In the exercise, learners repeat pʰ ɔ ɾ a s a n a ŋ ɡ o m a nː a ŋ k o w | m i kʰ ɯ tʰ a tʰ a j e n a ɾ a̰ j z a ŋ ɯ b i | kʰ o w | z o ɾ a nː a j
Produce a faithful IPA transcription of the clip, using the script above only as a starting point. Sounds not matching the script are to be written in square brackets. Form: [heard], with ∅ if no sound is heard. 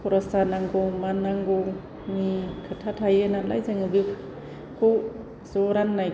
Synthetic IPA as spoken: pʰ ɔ ɾ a s a n a ŋ ɡ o m a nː a ŋ [ɡ] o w | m i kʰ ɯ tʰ a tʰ a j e n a [l] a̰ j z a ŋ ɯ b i | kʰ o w | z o ɾ a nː a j